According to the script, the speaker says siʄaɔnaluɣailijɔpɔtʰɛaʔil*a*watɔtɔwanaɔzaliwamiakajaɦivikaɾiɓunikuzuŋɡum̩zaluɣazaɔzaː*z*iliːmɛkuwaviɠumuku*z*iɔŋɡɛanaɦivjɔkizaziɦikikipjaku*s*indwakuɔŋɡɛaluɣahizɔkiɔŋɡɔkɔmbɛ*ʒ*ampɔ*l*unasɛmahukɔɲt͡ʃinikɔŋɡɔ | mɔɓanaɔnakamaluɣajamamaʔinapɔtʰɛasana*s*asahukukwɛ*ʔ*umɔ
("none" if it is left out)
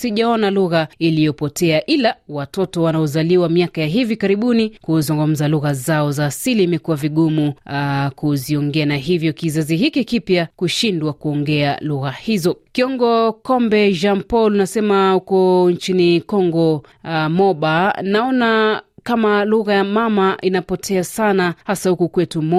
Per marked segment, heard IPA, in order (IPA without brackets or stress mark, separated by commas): a, s, z, ʃ, ʒ, l, h, t